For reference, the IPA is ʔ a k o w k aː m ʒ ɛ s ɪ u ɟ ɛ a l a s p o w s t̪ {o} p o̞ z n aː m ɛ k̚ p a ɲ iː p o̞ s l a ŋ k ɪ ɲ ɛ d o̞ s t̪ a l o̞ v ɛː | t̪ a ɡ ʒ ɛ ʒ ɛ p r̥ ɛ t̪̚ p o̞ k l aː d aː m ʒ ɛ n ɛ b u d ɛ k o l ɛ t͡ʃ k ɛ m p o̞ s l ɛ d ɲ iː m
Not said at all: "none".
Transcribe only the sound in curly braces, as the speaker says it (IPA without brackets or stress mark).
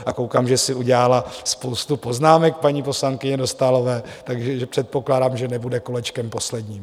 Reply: u